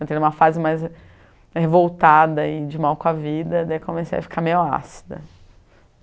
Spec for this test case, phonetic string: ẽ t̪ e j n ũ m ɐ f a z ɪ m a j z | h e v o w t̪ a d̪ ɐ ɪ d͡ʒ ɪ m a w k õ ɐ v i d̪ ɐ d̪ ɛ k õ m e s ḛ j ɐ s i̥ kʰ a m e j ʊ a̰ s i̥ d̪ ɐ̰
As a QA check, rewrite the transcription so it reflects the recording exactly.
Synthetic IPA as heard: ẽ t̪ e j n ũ m ɐ f a z ɪ m a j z | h e v o w t̪ a d̪ ɐ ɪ d͡ʒ ɪ m a w k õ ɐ v i d̪ ɐ d̪ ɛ k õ m e s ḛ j ɐ f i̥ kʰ a m e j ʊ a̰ s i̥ d̪ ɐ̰